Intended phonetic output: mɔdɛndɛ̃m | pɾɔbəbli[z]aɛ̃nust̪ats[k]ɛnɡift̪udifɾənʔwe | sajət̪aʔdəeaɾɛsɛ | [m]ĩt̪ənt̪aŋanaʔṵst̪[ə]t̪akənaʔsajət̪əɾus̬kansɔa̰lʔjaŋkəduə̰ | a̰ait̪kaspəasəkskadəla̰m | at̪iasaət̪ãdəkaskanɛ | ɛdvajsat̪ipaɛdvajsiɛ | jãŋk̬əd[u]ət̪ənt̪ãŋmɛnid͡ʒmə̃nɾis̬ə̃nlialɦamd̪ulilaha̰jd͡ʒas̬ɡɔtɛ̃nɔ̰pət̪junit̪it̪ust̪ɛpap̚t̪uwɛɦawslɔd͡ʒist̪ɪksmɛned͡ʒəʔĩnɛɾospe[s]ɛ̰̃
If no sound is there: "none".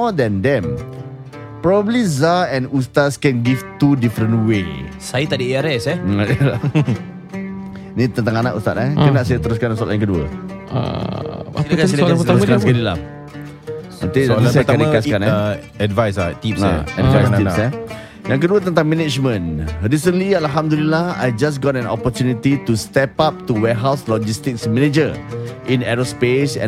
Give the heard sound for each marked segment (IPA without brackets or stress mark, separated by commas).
z, k, n, a, u, s